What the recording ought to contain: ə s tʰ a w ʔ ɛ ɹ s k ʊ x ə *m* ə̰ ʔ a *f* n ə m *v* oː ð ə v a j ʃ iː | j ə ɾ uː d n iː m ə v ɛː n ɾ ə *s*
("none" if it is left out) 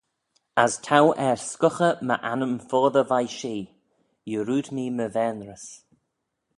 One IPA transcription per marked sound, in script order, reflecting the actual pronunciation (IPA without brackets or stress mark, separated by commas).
m, none, f, s